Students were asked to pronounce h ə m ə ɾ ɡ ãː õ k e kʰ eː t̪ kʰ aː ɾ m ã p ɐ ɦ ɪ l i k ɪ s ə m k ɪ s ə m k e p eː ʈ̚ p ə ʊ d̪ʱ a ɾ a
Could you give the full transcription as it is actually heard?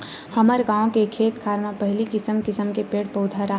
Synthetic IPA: h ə m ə ɾ ɡ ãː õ k e kʰ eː t̪ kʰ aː ɾ m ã p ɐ ɦ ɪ l i k ɪ s ə m k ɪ s ə m k e p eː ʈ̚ p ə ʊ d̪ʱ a ɾ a